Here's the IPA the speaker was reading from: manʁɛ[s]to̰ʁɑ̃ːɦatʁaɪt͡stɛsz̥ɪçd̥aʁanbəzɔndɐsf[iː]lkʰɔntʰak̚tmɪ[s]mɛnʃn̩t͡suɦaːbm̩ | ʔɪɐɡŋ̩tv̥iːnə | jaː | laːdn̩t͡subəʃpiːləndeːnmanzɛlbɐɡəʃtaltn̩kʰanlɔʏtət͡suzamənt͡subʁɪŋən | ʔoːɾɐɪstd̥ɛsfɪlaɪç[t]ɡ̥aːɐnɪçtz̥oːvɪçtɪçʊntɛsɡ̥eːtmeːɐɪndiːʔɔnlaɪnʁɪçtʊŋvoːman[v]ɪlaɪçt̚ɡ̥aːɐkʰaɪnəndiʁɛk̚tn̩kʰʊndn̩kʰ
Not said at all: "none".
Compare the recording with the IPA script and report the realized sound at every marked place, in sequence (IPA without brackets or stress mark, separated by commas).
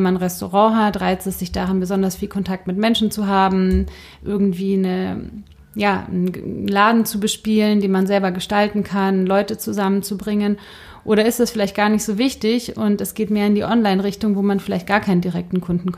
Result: s, iː, t, t, f